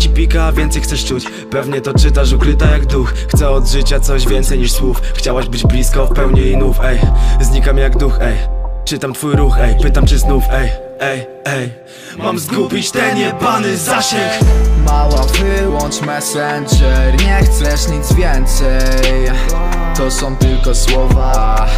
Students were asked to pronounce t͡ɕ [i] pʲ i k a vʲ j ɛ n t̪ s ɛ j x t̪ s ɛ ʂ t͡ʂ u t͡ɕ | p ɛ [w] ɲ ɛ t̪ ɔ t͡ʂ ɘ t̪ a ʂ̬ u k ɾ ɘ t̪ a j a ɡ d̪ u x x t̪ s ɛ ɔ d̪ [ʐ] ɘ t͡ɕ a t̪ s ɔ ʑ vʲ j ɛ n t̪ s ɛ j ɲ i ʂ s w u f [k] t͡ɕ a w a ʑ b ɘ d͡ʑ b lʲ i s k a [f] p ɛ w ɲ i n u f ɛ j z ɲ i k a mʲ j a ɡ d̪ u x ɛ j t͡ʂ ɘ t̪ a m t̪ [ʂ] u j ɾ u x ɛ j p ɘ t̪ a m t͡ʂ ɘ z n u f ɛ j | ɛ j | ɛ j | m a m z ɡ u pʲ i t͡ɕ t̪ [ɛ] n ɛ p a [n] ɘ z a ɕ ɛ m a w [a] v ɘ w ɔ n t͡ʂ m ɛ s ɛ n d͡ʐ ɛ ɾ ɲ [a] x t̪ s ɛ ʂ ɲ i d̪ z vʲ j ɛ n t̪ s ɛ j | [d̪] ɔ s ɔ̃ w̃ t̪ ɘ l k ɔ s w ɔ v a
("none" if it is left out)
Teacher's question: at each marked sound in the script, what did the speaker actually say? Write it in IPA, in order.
i, v, ʐ, x, f, f, ɛ, n, a, ɛ, t̪

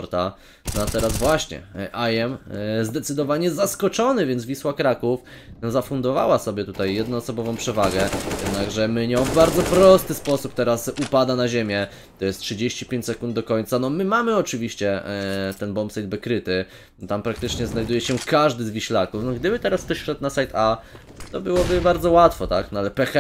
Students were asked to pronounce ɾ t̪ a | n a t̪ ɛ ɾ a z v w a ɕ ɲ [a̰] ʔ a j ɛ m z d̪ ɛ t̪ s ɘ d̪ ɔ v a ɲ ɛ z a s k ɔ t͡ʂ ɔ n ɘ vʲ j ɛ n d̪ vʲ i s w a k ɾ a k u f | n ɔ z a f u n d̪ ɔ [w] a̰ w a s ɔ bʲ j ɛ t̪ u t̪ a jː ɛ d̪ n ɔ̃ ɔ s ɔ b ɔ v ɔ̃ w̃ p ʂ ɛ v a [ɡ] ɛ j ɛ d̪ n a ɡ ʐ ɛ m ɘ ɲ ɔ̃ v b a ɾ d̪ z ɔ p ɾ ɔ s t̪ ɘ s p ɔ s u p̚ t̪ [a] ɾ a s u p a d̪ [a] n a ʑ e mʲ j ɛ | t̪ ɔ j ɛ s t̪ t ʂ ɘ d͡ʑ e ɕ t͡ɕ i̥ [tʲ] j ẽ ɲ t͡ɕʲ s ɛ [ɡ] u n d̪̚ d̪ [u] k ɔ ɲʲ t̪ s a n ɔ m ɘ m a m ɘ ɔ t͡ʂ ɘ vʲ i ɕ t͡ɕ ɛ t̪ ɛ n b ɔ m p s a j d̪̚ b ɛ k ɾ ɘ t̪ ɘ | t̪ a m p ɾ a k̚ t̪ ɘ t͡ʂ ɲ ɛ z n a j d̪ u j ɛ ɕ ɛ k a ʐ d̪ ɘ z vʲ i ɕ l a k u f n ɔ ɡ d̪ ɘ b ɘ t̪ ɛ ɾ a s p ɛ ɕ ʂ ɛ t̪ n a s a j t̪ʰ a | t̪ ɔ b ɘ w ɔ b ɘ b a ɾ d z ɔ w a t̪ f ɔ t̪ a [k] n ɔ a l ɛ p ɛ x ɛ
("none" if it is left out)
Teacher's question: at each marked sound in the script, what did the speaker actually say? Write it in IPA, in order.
ɛ̰, v, ɡ, ɛ, a, pʲ, k, ɔ, k

